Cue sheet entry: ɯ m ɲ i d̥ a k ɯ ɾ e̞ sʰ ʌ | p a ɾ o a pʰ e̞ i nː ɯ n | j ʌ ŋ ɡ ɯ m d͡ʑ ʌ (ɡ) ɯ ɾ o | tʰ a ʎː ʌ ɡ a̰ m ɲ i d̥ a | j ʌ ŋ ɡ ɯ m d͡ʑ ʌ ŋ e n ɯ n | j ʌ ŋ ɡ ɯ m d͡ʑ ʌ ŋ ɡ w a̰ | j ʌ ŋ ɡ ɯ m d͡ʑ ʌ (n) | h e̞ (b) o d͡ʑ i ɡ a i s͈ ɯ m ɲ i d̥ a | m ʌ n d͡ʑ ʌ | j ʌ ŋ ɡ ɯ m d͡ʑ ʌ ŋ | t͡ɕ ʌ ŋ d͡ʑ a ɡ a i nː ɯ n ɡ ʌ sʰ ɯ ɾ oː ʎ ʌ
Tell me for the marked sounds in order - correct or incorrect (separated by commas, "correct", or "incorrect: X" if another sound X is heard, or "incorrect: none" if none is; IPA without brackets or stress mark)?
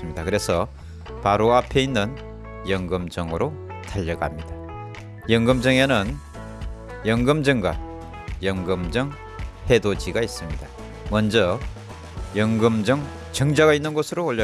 incorrect: ŋ, incorrect: ŋ, incorrect: d